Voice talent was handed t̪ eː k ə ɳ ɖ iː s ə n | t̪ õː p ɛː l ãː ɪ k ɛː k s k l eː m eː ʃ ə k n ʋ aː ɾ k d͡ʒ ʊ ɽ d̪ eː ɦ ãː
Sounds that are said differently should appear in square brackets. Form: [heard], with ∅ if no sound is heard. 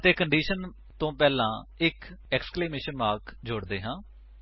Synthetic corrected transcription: t̪ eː k ə ɳ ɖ iː [ʃ] ə n | t̪ õː p ɛː l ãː ɪ k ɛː k s k l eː m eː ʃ ə [∅] n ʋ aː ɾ k d͡ʒ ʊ ɽ d̪ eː ɦ ãː